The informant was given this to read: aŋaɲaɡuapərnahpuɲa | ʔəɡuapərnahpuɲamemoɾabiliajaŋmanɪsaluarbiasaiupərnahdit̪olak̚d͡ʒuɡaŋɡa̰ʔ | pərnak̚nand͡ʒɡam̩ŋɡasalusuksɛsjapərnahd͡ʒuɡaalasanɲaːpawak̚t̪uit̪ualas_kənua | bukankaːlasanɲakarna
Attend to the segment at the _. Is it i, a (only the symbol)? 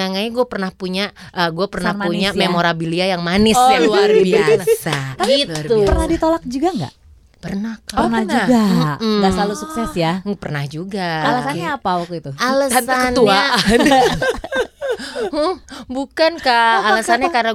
a